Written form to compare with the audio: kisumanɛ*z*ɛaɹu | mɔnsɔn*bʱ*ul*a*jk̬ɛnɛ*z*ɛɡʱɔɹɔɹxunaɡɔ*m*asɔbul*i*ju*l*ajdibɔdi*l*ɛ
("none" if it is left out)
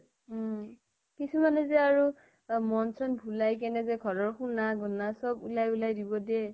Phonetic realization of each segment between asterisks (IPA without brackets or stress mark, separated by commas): z, bʱ, a, z, n, a, l, none